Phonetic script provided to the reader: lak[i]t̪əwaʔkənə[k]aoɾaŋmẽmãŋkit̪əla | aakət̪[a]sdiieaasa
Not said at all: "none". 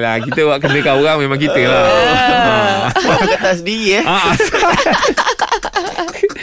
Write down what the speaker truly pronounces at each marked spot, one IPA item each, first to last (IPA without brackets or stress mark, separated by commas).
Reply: i, k, a